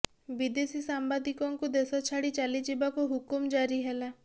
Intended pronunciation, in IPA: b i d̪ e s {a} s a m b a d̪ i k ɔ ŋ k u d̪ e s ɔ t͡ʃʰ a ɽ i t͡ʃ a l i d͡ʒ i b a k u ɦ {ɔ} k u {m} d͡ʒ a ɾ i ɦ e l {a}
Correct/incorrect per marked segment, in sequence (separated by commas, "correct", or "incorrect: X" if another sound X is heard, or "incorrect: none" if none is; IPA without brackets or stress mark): incorrect: i, incorrect: u, correct, correct